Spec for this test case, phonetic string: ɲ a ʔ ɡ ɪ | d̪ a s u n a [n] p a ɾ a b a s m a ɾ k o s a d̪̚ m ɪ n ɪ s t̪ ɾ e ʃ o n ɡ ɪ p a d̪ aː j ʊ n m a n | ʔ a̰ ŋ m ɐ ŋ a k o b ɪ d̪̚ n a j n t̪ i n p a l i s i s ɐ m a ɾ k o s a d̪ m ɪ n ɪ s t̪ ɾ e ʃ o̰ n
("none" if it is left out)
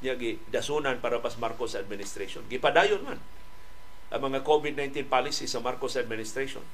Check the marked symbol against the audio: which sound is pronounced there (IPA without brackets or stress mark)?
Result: n